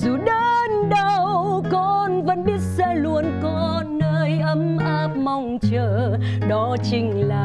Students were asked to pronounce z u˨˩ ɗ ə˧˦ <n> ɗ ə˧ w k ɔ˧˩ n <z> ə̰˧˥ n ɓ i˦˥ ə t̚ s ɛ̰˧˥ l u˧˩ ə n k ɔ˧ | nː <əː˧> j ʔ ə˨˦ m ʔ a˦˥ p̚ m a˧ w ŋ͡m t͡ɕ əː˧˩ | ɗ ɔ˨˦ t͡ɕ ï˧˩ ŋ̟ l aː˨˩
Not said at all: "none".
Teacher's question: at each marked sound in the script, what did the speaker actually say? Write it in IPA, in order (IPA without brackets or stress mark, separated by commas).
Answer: n, v, əː˧